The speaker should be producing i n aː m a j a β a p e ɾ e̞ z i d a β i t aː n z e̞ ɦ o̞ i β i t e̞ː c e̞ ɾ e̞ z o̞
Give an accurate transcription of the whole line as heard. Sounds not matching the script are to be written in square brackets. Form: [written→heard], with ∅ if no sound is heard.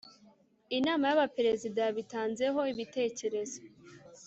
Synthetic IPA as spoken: i n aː m a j a β a p e ɾ e̞ z i d a β i t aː n z e̞ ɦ o̞ i β i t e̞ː c e̞ ɾ e̞ z o̞